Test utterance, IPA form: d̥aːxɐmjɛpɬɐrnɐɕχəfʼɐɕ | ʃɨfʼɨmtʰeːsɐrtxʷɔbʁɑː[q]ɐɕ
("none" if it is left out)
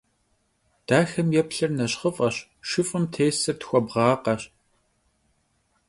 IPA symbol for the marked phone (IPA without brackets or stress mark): q